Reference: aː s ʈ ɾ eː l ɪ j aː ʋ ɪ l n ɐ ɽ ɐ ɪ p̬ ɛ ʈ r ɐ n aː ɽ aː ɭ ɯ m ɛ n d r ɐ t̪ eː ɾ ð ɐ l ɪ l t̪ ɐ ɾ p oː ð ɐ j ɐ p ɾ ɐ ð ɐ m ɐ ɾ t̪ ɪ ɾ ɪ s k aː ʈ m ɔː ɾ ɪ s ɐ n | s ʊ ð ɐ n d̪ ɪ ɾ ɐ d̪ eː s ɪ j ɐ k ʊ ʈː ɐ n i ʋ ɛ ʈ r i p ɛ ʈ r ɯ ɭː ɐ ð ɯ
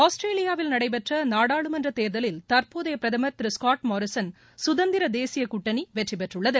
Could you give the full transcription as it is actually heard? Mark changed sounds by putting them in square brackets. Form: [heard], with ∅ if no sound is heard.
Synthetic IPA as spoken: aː s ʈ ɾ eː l ɪ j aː ʋ ɪ l n ɐ ɽ ɐ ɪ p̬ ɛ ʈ r ɐ n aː ɽ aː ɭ ɯ m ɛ n d r ɐ t̪ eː ɾ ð ɐ l ɪ l t̪ ɐ ɾ p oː ð ɐ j ɐ p ɾ ɐ ð ɐ m ɐ ɾ t̪ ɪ ɾ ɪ s k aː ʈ m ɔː ɾ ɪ s ɐ n | s ʊ ð ɐ n d̪ ɪ ɾ ɐ d̪ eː s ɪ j ɐ k ʊ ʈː ɐ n i ʋ ɛ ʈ r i p ɛ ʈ r ɯ ɭː ɐ ð ɯ